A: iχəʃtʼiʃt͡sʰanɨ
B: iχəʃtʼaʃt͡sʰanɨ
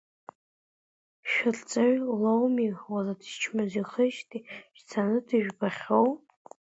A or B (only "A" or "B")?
A